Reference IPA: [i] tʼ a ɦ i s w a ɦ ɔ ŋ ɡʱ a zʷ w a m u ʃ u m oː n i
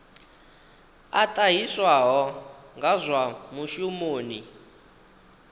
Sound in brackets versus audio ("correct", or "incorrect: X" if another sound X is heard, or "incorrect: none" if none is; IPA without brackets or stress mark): incorrect: a